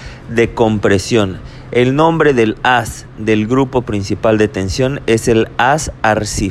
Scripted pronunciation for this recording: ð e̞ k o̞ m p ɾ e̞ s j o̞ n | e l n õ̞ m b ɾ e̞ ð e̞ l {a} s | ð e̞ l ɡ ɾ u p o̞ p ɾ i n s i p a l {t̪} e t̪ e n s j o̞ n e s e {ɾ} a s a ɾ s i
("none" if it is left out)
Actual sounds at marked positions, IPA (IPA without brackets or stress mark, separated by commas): a, d̪, l